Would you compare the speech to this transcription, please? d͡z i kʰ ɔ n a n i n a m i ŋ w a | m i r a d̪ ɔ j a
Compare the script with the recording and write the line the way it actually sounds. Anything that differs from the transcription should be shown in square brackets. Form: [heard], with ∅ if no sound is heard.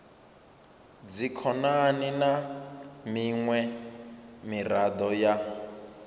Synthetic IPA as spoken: d͡z i kʰ ɔ n a n i n a m i ŋ w [ɛ] | m i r a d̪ ɔ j a